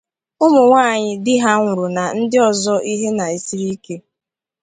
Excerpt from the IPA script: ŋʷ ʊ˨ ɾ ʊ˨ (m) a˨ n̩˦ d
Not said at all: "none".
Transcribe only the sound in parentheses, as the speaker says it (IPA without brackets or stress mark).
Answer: n